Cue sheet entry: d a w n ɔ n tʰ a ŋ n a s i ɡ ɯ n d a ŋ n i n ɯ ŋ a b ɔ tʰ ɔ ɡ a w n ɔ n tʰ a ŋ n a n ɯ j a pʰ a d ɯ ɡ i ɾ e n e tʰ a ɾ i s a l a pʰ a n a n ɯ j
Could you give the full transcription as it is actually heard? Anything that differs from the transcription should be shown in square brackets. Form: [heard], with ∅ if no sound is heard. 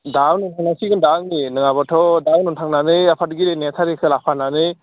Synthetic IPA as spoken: d a w n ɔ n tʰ a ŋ n a s i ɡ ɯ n d a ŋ n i n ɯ ŋ a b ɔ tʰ ɔ [d] a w n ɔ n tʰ a ŋ n a n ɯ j a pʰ a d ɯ ɡ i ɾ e n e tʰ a ɾ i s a l a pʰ a n a n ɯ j